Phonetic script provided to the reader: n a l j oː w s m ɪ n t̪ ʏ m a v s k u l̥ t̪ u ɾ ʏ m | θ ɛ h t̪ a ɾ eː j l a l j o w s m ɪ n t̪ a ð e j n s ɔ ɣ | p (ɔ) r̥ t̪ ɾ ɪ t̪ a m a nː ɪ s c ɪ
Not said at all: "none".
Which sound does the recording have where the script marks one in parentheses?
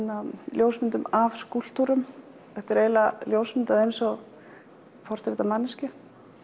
ɔ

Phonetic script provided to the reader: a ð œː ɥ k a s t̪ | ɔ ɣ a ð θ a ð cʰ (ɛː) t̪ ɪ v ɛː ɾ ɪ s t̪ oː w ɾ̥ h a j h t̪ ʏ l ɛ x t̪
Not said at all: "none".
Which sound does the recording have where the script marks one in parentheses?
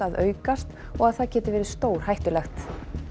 ɛː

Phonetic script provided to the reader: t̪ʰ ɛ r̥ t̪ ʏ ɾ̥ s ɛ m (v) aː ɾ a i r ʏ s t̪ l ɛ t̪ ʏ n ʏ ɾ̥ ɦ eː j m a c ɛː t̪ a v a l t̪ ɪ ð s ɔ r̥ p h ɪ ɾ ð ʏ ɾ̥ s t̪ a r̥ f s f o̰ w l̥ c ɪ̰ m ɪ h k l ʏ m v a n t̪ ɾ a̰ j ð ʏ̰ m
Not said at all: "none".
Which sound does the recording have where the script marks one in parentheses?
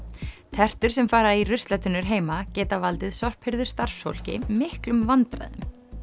f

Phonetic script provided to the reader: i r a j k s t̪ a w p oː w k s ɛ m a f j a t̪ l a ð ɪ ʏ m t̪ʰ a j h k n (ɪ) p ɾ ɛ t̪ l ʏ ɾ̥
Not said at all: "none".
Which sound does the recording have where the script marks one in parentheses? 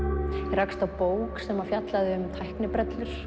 ɪ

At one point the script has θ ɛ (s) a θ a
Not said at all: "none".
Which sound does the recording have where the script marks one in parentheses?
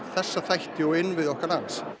sː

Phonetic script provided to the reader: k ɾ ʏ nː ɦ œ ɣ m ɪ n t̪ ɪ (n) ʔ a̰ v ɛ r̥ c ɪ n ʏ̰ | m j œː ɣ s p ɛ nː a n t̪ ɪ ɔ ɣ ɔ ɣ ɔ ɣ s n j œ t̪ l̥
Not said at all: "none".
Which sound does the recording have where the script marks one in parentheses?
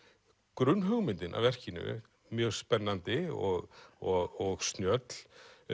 n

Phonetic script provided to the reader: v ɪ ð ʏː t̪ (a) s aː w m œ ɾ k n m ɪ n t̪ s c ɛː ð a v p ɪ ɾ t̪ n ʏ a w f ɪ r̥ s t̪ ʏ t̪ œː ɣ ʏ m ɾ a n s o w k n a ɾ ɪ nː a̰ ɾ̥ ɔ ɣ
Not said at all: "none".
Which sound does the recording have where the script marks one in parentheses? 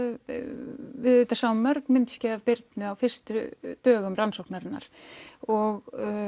a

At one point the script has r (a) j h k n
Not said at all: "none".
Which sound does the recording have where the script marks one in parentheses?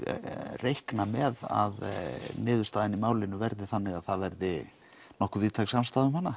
e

